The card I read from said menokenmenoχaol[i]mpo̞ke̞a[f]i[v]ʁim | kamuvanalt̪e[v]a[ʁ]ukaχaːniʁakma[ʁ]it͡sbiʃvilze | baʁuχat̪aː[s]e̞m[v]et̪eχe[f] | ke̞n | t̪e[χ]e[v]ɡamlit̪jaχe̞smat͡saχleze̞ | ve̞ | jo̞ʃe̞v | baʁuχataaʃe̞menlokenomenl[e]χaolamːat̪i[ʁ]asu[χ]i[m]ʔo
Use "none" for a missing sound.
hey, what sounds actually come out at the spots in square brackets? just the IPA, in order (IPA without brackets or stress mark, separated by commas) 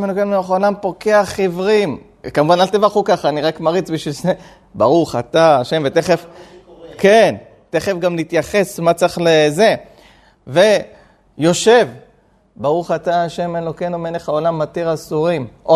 a, χ, v, v, χ, ʁ, ʃ, v, f, χ, f, e, ʁ, ʁ, m